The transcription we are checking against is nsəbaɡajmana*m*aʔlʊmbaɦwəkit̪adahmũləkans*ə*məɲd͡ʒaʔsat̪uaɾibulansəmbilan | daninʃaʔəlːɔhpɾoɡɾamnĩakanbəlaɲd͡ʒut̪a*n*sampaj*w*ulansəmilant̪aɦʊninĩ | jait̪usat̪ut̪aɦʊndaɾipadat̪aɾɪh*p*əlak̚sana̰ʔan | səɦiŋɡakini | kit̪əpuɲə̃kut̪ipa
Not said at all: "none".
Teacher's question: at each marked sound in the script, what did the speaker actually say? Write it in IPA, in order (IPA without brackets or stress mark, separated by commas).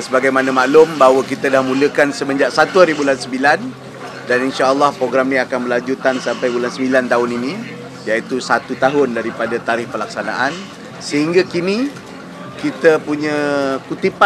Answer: m, ə, n, b, p